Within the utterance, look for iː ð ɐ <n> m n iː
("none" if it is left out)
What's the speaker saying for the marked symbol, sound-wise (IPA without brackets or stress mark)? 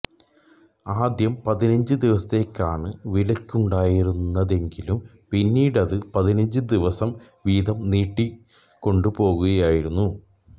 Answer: none